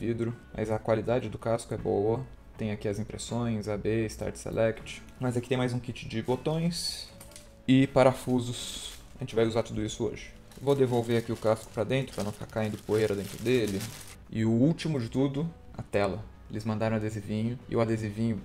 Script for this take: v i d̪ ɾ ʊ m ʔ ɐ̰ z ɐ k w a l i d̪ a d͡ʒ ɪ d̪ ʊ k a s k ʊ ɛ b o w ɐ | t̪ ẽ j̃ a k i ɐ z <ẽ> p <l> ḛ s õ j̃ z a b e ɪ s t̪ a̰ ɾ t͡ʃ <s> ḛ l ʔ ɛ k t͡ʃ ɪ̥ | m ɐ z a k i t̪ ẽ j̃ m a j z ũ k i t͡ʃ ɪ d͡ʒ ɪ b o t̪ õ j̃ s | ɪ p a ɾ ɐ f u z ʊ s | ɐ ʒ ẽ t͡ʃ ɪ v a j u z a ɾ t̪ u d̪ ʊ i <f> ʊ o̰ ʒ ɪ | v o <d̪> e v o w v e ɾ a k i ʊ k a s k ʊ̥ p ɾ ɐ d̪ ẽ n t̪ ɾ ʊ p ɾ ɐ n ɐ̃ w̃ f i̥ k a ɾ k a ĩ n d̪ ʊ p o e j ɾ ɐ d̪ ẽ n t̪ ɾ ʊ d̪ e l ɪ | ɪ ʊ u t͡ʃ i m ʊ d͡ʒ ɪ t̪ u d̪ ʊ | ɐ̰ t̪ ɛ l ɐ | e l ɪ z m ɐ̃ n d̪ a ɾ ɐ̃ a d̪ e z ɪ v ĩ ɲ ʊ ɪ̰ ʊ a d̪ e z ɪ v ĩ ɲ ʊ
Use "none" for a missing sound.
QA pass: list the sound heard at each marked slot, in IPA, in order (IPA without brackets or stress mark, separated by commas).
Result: ĩ, ɾ, s, s, d̪